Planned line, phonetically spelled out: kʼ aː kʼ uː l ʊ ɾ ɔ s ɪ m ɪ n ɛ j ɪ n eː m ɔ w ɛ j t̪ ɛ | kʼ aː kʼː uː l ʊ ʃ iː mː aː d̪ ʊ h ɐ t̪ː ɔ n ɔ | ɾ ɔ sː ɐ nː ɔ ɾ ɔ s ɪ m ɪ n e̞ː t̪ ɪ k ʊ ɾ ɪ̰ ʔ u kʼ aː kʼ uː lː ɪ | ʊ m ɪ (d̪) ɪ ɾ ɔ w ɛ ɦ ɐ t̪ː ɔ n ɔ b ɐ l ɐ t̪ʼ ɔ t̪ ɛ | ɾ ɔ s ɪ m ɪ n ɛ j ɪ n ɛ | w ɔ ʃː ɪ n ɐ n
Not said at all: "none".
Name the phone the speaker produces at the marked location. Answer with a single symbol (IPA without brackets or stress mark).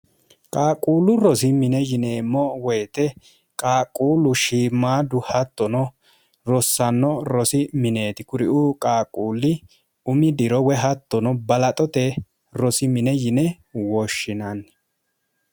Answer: d̪